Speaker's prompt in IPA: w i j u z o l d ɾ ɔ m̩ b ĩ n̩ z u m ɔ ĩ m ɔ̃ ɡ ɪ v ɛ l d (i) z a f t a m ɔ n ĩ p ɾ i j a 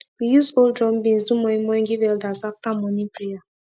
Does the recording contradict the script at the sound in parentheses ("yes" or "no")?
yes